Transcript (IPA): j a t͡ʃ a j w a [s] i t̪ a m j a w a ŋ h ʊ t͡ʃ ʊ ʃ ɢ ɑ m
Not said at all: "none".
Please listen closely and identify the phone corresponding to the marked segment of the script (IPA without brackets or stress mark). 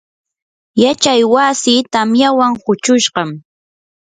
s